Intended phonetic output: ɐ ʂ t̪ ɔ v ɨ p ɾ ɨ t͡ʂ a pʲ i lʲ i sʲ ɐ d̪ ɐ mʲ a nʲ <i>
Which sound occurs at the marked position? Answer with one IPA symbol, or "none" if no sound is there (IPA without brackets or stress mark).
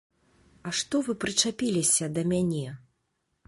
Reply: ɛ